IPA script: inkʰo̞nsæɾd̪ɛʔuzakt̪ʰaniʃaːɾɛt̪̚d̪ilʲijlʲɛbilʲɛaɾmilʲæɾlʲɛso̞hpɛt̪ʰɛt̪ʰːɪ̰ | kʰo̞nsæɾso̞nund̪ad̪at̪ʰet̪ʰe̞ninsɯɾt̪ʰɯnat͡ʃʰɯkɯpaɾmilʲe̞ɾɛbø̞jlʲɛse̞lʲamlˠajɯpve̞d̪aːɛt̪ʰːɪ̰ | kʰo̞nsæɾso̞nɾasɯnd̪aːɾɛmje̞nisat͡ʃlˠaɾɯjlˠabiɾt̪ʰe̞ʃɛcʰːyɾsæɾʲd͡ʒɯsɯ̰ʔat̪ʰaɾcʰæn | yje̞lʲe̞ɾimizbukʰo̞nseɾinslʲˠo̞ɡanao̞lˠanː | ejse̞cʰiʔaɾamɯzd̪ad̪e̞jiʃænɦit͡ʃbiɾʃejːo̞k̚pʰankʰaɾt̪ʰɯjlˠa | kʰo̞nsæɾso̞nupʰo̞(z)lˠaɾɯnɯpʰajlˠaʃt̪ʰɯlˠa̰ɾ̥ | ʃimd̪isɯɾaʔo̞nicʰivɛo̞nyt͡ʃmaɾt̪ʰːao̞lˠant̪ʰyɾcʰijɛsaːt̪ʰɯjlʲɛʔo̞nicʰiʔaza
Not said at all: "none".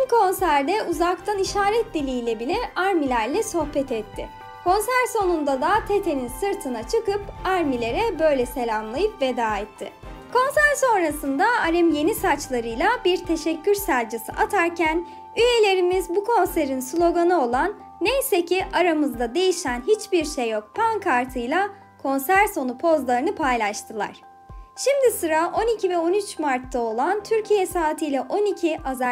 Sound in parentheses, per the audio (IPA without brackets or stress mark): z